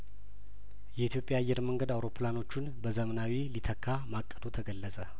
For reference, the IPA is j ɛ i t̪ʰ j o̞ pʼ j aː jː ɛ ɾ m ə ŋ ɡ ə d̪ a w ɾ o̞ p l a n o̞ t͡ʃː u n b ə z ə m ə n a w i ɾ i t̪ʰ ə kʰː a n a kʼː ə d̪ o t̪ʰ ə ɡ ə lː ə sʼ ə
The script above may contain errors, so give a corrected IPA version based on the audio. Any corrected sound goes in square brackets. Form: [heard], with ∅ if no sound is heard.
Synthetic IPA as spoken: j ɛ i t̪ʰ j o̞ pʼ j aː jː ɛ ɾ m ə ŋ ɡ ə d̪ a w ɾ o̞ p l a n o̞ t͡ʃː u n b ə z ə m ə n a w i [l] i t̪ʰ ə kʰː a [m] a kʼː ə d̪ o t̪ʰ ə ɡ ə lː ə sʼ ə